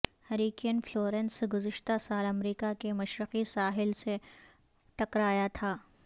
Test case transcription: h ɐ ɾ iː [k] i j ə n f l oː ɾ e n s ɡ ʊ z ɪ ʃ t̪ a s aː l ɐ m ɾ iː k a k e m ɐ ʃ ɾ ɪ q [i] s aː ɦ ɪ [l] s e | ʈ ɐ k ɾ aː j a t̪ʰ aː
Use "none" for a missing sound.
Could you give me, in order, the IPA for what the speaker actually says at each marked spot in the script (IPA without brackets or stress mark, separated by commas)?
k, i, l